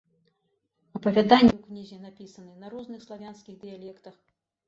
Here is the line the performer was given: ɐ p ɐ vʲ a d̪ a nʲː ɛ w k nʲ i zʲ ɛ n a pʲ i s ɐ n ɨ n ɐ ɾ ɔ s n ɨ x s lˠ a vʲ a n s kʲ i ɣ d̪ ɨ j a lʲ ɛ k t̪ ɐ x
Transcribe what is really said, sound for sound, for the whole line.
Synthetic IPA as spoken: ɐ p ɐ vʲ a d̪ a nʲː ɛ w k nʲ i zʲ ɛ n a pʲ i s ɐ n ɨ n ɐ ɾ ɔ z n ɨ x s lˠ a vʲ a n s kʲ i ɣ d̪ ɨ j a lʲ ɛ k t̪ ɐ x